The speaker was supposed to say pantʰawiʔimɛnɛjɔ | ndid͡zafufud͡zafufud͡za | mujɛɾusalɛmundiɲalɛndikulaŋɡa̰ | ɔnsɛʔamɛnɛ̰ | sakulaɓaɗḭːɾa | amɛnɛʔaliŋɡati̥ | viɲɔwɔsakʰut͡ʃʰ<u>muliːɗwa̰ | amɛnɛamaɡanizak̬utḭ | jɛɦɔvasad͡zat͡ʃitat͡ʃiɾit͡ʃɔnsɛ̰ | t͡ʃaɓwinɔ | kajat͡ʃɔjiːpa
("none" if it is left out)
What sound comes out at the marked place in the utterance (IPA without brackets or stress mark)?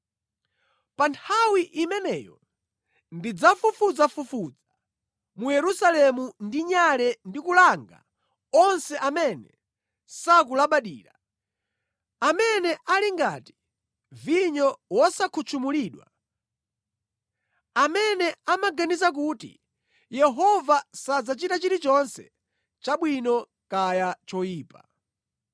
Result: u